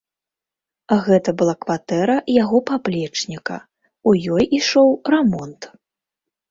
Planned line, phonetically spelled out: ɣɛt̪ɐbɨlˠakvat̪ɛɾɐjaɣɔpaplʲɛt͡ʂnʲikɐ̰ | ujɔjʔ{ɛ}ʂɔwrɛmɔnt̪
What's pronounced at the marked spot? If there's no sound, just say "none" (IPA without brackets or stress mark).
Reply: i